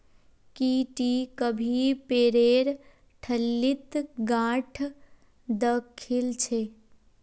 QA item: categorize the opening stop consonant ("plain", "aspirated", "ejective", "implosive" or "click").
plain